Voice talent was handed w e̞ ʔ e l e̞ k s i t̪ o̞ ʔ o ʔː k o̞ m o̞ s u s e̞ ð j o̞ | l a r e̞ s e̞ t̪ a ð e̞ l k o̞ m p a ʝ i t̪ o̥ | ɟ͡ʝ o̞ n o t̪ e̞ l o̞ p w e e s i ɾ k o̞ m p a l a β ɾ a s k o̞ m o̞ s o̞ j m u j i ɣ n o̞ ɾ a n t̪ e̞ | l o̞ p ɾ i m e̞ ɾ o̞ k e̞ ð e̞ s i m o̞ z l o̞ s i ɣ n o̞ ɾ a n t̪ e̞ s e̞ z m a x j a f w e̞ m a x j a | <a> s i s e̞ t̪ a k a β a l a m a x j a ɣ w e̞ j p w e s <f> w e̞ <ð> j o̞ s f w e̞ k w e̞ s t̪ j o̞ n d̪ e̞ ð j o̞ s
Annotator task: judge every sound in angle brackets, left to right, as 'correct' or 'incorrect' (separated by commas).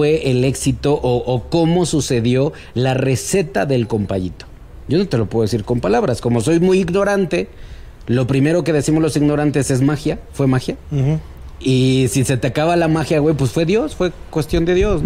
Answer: incorrect, correct, correct